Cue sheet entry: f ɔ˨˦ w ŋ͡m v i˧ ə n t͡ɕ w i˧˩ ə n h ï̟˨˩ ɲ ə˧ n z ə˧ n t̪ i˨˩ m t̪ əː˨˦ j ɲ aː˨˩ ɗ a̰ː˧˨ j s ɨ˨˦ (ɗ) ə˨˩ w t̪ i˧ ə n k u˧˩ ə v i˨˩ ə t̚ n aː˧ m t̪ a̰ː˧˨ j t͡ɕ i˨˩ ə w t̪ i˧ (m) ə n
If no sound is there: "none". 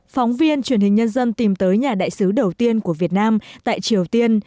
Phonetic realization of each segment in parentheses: ɗ, none

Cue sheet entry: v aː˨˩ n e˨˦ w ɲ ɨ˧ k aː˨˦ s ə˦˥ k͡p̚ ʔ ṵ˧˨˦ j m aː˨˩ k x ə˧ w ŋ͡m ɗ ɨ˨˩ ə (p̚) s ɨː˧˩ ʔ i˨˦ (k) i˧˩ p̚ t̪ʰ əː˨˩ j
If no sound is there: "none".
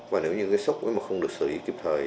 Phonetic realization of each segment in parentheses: k̚, k

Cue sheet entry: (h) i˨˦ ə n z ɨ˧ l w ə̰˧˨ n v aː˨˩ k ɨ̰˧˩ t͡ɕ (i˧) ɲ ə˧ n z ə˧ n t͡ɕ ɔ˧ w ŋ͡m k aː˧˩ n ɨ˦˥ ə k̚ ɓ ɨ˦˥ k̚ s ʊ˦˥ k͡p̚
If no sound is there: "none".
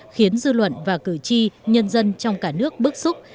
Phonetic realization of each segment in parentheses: x, i˧

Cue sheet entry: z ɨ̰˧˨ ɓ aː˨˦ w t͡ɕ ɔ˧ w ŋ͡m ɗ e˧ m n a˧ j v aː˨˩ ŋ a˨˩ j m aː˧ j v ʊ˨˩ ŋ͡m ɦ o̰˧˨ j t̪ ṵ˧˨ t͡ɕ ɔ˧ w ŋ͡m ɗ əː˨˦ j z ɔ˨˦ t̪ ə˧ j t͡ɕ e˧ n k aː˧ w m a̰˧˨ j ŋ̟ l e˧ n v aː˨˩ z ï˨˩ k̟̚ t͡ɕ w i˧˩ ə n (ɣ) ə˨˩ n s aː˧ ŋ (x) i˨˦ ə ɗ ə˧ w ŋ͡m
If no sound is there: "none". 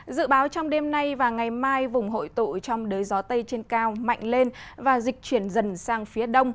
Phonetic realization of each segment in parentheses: z, f

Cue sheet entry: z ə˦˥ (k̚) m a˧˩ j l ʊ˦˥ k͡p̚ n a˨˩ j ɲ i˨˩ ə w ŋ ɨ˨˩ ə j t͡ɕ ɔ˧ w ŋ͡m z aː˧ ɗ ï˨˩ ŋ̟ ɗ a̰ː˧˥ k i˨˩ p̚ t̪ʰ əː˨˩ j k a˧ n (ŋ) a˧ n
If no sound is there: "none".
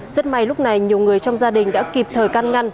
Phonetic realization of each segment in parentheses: t̚, ŋ

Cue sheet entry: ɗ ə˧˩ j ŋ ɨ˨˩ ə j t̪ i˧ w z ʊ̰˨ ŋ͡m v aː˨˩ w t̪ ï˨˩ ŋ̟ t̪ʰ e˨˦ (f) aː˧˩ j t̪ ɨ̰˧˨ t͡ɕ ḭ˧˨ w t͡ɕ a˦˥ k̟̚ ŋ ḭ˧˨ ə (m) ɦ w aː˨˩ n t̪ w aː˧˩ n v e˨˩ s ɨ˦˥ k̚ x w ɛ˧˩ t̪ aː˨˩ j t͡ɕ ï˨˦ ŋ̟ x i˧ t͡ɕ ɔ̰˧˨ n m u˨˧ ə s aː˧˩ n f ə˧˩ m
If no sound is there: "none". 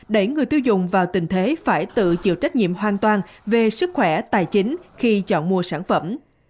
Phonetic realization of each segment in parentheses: f, m

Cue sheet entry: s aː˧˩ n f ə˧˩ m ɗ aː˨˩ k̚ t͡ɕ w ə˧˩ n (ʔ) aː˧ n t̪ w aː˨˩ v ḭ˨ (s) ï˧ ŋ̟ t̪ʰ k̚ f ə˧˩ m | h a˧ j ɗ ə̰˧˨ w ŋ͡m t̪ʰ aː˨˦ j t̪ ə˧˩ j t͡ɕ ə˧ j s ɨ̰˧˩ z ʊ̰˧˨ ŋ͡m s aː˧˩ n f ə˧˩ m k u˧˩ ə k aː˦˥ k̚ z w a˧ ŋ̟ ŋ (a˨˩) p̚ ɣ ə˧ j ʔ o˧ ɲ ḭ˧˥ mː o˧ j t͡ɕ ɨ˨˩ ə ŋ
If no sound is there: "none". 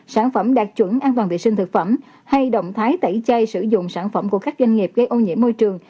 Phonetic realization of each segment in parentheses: ʔ, s, i˨˩

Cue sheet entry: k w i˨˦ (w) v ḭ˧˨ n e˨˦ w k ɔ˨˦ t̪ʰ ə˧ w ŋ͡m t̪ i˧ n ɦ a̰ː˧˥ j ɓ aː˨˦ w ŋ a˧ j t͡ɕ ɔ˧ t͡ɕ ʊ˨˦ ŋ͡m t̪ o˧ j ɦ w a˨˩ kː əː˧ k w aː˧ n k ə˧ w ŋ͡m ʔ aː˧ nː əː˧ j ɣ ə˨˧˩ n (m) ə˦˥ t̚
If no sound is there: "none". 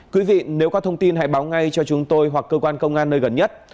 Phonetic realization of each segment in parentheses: none, ɲ

